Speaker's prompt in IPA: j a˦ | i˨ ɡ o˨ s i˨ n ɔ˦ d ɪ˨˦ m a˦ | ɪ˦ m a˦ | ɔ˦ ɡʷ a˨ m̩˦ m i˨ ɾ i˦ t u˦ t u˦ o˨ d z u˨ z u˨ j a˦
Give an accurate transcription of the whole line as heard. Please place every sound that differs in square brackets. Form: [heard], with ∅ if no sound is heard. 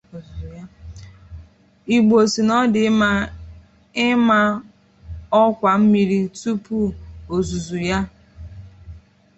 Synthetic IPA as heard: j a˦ | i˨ [ɡ͡b] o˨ s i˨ n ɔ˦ d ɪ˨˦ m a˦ | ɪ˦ m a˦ | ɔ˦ [kʷ] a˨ m̩˦ m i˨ ɾ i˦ t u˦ [p] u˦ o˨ [∅] z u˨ z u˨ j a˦